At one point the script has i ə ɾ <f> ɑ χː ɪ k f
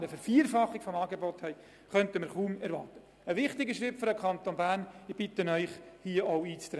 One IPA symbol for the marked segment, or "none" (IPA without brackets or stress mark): f